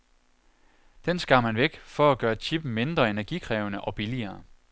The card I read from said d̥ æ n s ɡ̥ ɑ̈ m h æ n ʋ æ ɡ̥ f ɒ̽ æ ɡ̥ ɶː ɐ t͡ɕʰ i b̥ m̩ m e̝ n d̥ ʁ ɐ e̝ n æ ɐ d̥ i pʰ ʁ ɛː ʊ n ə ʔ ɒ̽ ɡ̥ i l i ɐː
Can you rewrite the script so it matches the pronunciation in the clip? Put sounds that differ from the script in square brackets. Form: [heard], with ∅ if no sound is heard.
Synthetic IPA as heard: d̥ [e] n s ɡ̥ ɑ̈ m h æ n ʋ [e] ɡ̥ f ɒ̽ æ ɡ̥ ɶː ɐ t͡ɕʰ i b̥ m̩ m e̝ n d̥ ʁ ɐ e̝ n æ ɐ [ɡ̥] i [kʰ] ʁ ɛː ʊ n ə ʔ ɒ̽ [b̥] i l i ɐː